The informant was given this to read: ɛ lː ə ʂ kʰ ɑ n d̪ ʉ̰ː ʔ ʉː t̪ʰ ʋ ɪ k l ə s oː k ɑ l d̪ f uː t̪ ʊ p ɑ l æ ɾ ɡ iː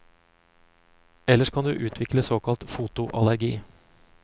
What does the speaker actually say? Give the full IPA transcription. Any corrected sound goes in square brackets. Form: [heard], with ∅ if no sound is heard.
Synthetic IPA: ɛ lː ə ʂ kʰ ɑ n d̪ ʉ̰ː ʔ ʉː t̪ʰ ʋ ɪ k l ə s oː k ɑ l [t̪] f uː t̪ ʊ [ʔ] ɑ l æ ɾ ɡ iː